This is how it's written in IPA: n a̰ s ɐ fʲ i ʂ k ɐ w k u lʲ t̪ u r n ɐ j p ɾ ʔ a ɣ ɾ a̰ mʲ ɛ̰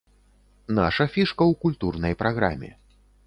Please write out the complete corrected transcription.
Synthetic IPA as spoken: n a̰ ʂ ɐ fʲ i ʂ k ɐ w k u lʲ t̪ u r n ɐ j p ɾ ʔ a ɣ ɾ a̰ mʲ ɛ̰